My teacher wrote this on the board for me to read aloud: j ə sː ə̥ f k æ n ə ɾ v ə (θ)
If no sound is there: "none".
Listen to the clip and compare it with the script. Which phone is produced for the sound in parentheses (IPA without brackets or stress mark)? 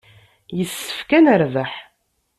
ħ